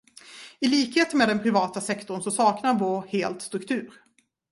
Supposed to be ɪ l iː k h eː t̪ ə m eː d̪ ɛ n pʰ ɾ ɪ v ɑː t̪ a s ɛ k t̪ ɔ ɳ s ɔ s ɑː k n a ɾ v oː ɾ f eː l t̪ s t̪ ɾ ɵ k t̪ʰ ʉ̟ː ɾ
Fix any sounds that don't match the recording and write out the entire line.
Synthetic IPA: ɪ l iː k h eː t̪ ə m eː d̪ ɛ n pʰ ɾ ɪ v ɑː t̪ a s ɛ k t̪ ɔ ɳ s ɔ s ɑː k n a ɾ v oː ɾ h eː l t̪ s t̪ ɾ ɵ k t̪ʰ ʉ̟ː ɾ